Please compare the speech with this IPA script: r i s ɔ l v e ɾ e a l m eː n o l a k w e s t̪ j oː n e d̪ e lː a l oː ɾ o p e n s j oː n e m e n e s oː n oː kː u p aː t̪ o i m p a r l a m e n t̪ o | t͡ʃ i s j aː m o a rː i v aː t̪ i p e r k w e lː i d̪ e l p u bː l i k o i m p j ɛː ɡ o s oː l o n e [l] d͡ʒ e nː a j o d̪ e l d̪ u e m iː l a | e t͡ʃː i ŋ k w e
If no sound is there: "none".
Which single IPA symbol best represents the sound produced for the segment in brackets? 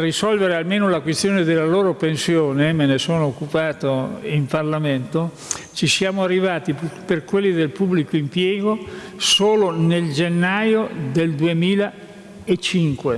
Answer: l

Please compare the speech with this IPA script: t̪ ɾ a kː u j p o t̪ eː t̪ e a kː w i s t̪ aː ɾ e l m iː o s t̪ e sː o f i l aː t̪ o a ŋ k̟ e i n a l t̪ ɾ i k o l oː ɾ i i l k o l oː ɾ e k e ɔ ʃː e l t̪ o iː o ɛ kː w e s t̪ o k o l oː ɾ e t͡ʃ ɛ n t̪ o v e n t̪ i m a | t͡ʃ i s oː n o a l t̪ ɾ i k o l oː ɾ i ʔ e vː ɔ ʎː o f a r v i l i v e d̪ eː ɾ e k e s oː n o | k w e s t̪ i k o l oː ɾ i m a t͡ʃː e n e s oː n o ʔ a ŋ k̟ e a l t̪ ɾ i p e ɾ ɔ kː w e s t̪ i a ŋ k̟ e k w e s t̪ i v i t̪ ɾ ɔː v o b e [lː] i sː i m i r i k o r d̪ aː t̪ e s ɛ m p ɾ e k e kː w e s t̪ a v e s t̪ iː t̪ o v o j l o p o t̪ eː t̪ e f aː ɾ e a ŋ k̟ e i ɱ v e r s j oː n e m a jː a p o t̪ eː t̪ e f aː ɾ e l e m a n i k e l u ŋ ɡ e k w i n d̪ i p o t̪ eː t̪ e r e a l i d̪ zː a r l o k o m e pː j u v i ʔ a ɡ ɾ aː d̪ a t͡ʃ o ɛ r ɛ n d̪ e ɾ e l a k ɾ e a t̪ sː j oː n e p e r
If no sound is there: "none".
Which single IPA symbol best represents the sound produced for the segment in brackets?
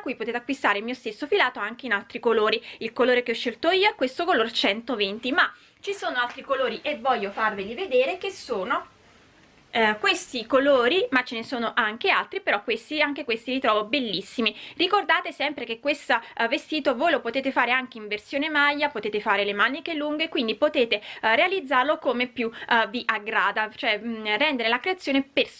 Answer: lː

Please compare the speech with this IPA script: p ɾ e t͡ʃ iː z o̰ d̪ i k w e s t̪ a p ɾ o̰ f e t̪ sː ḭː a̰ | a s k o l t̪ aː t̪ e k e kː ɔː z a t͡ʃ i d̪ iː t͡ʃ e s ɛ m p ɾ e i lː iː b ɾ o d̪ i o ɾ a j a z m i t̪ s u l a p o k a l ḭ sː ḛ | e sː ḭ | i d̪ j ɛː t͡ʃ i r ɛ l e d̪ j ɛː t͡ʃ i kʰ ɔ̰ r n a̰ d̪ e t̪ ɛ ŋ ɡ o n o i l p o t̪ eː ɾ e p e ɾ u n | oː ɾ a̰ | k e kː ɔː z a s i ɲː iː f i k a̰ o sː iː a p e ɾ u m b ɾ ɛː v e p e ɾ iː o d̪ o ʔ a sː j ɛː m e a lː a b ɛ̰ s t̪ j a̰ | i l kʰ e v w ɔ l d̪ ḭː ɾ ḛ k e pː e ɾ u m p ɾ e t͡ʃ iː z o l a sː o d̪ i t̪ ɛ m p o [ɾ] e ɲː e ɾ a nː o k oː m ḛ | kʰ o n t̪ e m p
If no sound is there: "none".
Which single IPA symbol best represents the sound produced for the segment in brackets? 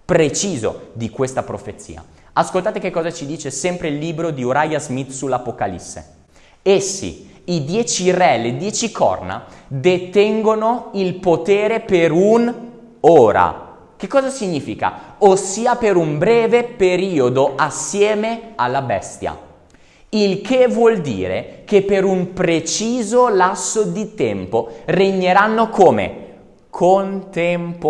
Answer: r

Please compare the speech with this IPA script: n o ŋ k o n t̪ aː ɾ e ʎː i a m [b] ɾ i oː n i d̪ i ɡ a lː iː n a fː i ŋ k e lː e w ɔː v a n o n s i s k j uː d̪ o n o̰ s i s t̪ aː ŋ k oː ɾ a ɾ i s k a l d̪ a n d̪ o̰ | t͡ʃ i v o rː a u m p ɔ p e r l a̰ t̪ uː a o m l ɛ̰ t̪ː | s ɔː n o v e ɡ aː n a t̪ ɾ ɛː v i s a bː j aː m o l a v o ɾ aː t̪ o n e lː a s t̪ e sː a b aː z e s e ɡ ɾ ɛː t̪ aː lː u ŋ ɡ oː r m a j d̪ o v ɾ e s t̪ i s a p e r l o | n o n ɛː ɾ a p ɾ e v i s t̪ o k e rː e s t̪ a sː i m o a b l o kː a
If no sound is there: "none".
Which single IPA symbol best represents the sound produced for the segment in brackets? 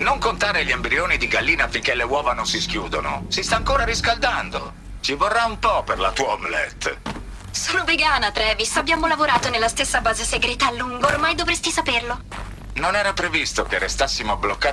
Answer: b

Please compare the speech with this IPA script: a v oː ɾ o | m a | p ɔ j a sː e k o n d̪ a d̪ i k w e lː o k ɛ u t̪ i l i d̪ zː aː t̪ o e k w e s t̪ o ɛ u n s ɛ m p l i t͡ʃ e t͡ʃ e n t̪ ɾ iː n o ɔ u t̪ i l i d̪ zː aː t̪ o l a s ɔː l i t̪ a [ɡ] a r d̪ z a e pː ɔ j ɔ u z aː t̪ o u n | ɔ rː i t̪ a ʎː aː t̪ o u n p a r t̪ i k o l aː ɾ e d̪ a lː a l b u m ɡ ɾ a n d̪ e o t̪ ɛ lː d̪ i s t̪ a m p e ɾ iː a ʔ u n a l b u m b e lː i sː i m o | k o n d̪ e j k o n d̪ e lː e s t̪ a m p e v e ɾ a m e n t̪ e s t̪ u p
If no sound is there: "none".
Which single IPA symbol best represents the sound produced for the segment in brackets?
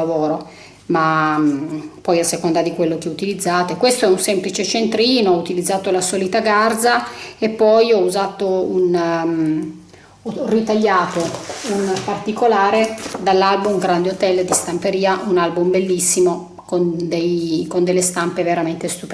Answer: ɡ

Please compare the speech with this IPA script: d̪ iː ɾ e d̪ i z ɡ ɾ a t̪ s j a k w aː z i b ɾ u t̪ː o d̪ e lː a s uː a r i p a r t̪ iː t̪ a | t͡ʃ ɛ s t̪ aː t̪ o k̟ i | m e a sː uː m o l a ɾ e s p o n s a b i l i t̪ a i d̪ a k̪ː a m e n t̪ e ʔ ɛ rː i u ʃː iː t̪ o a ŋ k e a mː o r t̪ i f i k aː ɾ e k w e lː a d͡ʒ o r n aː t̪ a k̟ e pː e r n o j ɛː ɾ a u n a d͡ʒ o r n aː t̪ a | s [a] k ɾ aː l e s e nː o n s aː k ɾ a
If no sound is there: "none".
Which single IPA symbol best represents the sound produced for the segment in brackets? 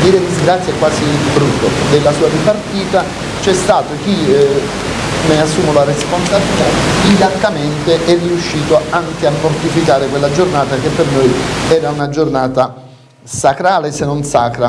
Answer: a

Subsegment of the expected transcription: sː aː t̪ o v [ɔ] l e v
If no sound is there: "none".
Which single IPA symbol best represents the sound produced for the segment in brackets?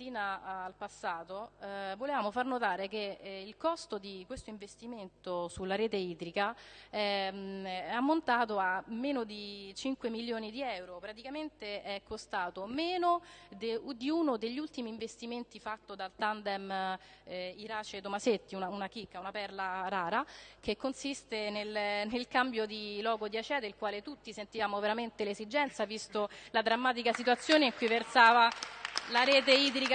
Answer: o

